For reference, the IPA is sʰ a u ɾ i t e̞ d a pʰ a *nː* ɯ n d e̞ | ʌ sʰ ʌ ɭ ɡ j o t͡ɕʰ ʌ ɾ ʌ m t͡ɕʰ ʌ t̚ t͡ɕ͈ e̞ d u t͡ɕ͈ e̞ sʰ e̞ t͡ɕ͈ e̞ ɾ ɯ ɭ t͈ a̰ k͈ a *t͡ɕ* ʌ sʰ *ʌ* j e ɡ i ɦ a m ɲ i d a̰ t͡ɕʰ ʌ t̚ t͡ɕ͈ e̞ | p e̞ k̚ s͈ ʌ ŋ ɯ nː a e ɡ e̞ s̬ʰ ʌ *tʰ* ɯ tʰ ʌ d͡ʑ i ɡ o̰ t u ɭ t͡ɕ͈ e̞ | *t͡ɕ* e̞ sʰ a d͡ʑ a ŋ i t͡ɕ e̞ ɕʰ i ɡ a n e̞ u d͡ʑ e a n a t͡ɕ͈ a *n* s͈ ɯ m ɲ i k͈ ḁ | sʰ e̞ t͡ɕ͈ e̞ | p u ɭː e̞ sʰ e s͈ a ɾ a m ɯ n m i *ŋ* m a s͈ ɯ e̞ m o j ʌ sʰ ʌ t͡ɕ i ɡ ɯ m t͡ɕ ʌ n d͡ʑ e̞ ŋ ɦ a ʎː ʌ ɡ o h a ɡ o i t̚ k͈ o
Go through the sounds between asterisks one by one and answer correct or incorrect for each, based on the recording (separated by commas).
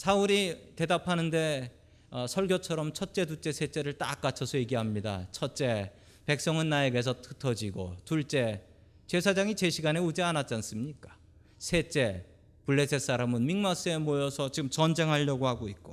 incorrect, incorrect, correct, correct, correct, correct, correct